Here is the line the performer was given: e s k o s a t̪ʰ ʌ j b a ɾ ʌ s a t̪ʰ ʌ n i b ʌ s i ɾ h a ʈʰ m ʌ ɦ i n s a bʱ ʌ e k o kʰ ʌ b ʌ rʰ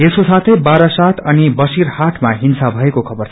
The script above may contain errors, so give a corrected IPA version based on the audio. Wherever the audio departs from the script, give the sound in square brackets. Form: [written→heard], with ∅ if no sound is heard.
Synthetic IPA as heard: e s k o s a t̪ʰ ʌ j b a ɾ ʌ s a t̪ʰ ʌ n i b ʌ s i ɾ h a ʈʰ m [ʌ→a] ɦ i n s a bʱ ʌ e k o kʰ ʌ b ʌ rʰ